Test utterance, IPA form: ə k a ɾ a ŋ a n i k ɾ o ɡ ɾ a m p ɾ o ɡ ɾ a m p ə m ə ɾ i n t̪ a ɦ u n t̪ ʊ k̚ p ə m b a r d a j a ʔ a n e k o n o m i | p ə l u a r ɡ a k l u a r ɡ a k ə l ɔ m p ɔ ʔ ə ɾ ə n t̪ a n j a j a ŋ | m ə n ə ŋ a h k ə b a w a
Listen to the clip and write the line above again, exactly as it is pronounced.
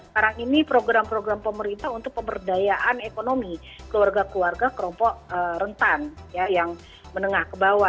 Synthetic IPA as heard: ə k a ɾ a ŋ i n i p ɾ o ɡ ɾ a m p ɾ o ɡ ɾ a m p ə m ə ɾ i n t̪ a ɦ u n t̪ ʊ k̚ p ə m b ə r d a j a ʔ a n e k o n o m i | k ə l u a r ɡ a k l u a r ɡ a k ə l ɔ m p ɔ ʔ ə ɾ ə n t̪ a n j a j a ŋ | m ə n ə ŋ a h k ə b a w a